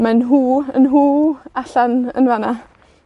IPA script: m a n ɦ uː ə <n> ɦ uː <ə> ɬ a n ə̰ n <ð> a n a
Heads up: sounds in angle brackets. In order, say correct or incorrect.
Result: correct, incorrect, incorrect

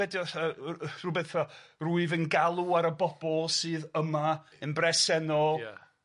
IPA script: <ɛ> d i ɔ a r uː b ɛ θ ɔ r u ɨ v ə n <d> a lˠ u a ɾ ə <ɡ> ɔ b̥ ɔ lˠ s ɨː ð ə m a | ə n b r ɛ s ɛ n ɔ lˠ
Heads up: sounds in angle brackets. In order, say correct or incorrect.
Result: correct, incorrect, incorrect

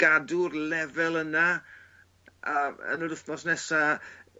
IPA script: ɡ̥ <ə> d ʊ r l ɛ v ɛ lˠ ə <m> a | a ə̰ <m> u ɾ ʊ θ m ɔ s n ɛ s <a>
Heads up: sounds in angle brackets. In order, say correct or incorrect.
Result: incorrect, incorrect, incorrect, correct

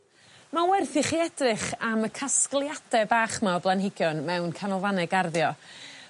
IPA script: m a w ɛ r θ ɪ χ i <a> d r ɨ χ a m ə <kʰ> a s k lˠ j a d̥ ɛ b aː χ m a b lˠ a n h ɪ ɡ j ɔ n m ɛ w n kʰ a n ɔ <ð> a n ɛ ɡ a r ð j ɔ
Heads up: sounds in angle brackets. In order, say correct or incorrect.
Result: incorrect, correct, incorrect

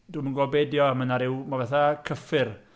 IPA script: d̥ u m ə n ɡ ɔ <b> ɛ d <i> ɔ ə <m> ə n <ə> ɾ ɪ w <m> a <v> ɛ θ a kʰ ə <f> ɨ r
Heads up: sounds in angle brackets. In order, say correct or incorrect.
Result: correct, incorrect, correct, incorrect, correct, correct, correct

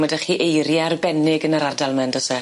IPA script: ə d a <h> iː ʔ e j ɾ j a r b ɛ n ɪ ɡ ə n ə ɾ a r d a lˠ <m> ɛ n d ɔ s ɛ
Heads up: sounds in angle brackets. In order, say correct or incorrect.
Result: incorrect, correct

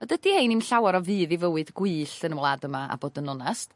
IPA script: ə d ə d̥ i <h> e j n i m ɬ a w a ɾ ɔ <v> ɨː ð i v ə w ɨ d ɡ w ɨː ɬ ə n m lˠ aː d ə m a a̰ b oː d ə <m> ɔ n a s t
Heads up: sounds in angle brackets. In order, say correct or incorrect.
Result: correct, correct, incorrect

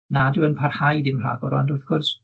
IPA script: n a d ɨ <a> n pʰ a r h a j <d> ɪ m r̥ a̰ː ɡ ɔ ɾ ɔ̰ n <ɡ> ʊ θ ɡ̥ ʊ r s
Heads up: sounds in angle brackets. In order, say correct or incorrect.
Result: incorrect, correct, incorrect

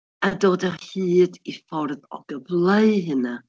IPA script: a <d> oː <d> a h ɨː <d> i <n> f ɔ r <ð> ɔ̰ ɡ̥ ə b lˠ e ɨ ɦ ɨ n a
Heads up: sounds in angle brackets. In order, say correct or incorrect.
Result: correct, correct, correct, incorrect, correct

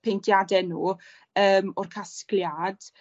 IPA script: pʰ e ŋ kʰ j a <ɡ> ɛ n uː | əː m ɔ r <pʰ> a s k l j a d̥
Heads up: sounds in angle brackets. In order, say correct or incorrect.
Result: incorrect, incorrect

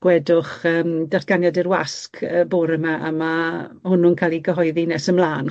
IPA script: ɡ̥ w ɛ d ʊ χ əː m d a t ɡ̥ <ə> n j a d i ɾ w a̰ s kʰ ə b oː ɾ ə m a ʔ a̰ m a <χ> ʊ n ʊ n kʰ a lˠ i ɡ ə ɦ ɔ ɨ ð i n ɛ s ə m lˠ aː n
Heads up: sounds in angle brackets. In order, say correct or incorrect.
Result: incorrect, incorrect

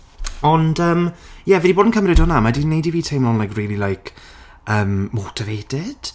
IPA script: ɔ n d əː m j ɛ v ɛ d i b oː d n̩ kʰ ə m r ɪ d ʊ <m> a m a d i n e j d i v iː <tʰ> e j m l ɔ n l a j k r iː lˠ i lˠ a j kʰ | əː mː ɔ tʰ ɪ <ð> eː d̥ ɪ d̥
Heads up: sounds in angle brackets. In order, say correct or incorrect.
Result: incorrect, correct, incorrect

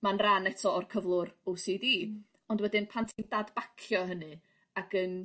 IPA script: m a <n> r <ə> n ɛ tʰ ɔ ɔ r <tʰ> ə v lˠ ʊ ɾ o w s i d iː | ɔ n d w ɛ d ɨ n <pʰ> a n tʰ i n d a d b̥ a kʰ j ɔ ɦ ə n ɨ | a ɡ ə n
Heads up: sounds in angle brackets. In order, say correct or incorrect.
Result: correct, incorrect, incorrect, correct

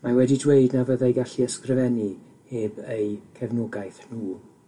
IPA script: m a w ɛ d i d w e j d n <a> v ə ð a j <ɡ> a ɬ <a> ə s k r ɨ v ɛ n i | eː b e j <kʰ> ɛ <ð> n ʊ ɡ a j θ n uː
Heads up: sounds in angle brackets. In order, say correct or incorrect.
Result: correct, correct, incorrect, correct, incorrect

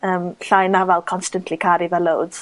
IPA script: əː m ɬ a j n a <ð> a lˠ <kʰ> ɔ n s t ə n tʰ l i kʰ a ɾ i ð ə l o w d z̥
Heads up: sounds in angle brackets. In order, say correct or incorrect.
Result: incorrect, correct

